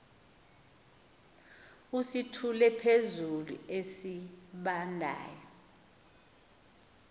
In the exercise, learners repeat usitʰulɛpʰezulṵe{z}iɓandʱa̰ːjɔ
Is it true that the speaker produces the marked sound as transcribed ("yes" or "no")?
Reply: no